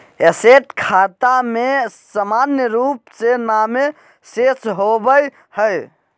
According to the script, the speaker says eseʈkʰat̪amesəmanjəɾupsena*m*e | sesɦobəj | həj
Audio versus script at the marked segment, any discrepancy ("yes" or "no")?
no